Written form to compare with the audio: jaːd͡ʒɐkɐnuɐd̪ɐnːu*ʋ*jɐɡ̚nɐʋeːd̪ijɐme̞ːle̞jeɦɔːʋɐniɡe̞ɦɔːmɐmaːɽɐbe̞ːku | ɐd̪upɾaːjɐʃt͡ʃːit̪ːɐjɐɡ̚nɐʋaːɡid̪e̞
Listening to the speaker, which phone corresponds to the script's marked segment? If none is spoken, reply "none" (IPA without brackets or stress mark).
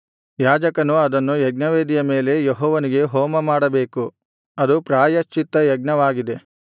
none